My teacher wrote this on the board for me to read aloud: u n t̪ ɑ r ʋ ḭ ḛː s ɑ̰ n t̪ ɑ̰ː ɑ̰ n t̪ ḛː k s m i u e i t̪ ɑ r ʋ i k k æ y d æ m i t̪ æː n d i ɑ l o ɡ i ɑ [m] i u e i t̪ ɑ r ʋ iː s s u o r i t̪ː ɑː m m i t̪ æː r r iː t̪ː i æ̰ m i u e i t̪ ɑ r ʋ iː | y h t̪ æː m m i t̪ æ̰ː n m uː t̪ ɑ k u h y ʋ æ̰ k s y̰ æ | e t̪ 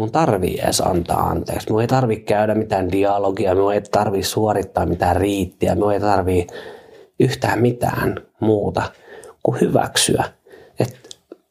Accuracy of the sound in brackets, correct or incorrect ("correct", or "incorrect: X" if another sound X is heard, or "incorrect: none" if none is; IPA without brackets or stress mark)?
correct